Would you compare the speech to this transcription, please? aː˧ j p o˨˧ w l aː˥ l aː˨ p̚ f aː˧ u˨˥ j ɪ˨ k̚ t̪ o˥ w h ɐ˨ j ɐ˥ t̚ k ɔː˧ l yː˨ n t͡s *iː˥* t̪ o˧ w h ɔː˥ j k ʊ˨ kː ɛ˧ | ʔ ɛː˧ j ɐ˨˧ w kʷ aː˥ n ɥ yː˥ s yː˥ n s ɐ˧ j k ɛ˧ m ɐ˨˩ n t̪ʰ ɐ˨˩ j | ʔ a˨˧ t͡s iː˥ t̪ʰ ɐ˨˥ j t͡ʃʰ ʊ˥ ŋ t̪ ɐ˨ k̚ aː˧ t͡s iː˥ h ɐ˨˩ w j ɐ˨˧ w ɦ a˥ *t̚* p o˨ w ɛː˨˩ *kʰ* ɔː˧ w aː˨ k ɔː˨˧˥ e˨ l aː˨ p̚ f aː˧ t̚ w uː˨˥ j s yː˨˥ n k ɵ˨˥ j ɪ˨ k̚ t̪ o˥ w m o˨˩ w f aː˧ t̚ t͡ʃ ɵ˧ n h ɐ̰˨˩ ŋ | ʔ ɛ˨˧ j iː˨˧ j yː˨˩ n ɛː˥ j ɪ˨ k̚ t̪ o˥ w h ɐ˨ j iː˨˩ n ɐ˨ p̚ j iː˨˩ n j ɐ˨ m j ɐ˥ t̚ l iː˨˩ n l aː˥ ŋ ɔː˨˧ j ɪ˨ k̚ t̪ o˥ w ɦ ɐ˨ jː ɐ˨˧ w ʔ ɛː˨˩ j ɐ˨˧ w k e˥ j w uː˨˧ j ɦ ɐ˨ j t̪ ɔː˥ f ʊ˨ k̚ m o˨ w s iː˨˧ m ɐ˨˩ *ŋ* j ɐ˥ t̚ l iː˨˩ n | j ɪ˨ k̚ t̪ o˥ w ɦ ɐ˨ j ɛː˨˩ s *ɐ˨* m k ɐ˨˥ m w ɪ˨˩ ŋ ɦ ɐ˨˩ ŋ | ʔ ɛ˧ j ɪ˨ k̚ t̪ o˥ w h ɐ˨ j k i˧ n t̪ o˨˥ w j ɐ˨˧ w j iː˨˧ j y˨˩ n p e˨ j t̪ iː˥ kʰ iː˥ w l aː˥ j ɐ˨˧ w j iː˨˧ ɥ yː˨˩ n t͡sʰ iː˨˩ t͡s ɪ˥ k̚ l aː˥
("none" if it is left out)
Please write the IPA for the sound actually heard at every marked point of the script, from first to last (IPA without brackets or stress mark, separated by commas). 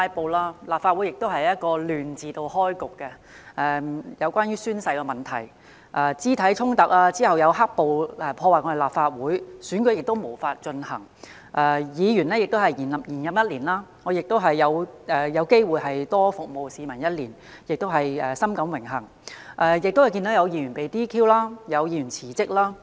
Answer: iː˨˧, k̚, pʰ, n, ɐ˥